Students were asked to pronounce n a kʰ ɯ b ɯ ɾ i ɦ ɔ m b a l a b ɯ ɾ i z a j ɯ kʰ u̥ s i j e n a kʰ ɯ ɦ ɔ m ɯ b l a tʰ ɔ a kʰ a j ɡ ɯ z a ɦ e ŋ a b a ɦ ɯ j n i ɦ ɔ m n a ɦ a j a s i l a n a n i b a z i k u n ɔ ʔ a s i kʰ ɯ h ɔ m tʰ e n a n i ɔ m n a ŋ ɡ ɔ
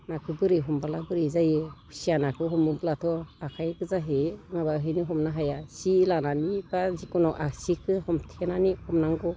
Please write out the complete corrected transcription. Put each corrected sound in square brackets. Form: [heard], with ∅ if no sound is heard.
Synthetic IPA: n a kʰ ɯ b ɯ ɾ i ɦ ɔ m b a l a b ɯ ɾ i z a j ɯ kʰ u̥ s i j [a] n a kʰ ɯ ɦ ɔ m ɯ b l a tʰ ɔ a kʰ a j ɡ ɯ z a ɦ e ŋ a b a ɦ ɯ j n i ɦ ɔ m n a ɦ a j a s i l a n a n i b a z i k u n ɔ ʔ a s i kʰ ɯ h ɔ m tʰ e n a n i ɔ m n a ŋ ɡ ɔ